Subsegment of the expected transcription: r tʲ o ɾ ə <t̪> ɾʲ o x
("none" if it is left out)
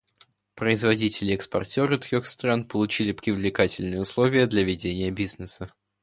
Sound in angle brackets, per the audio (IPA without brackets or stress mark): t̪